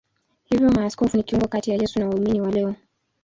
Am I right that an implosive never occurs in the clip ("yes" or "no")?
yes